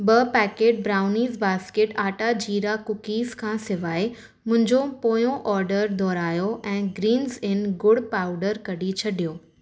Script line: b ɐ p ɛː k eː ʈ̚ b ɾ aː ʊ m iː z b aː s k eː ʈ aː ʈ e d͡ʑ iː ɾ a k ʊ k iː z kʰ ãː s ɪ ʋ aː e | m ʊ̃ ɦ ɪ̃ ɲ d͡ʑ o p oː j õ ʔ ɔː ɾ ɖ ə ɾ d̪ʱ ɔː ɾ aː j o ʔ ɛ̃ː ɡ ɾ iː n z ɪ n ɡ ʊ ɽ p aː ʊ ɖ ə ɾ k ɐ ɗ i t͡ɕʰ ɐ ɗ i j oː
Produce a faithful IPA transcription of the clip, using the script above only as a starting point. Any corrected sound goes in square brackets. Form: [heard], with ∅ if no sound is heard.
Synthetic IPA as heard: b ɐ p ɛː k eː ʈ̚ b ɾ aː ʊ [n] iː z b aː s k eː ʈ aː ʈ [a] d͡ʑ iː ɾ a k ʊ k iː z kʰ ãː s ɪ ʋ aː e | m ʊ̃ ɦ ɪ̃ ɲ d͡ʑ o p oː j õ ʔ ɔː ɾ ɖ ə ɾ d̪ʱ ɔː ɾ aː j o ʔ ɛ̃ː ɡ ɾ iː n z ɪ n ɡ ʊ ɽ p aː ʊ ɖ ə ɾ k ɐ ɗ i t͡ɕʰ ɐ ɗ i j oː

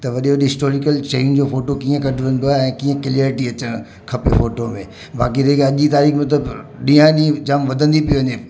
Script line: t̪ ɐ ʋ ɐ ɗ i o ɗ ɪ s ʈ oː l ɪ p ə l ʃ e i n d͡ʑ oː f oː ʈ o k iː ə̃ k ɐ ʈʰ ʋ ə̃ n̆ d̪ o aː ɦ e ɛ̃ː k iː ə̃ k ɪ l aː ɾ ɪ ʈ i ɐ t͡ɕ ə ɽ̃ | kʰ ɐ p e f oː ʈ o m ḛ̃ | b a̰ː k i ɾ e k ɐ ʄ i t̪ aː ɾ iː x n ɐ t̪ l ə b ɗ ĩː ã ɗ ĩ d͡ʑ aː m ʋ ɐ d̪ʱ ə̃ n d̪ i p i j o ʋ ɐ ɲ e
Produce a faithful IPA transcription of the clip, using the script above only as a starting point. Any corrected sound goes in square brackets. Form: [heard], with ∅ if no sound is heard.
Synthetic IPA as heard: t̪ ɐ ʋ ɐ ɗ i o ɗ ɪ s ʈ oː [ɾ] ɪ [k] ə l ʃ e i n d͡ʑ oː f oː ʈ o k iː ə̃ k ɐ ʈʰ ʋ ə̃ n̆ d̪ o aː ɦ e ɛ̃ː k iː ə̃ k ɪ l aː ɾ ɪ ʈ i ɐ t͡ɕ ə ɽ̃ | kʰ ɐ p e f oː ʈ o m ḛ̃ | b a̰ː k i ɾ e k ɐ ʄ i t̪ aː ɾ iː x [m] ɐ t̪ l ə b ɗ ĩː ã ɗ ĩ d͡ʑ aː m ʋ ɐ d̪ʱ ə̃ n d̪ i p i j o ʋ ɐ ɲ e

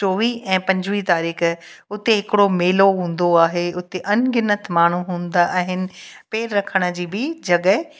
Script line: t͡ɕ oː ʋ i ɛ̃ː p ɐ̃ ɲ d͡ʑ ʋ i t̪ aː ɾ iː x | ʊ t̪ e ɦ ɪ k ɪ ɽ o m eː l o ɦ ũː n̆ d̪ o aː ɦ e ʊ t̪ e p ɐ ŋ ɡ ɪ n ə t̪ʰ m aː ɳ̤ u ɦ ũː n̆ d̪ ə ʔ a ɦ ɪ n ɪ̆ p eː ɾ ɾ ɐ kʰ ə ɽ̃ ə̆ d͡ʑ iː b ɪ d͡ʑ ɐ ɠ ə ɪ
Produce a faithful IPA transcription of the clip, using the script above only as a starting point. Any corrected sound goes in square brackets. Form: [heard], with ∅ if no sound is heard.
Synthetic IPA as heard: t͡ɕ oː ʋ i ɛ̃ː p ɐ̃ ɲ d͡ʑ ʋ i t̪ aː ɾ iː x | ʊ t̪ e ɦ ɪ k ɪ ɽ o m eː l o ɦ ũː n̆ d̪ o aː ɦ e ʊ t̪ e [ʔ] ɐ [n] ɡ ɪ n ə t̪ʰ m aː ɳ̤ u ɦ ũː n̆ d̪ [a] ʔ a ɦ ɪ n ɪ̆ p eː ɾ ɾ ɐ kʰ ə ɽ̃ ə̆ d͡ʑ iː b ɪ d͡ʑ ɐ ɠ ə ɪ

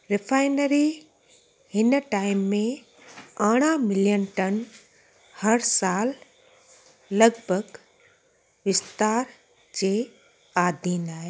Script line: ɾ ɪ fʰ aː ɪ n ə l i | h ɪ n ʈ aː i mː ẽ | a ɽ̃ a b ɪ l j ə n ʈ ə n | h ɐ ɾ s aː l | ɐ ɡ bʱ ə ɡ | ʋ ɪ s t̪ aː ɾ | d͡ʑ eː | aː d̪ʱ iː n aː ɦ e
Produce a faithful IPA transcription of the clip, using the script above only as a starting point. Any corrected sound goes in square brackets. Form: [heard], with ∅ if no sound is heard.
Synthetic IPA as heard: ɾ ɪ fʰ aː ɪ n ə [ɾ] i | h ɪ n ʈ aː [ɪ] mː ẽ | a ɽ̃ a [m] ɪ l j ə n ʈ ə n | h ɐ ɾ s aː l | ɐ ɡ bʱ ə ɡ | ʋ ɪ s t̪ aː ɾ | d͡ʑ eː | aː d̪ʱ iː n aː ɦ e

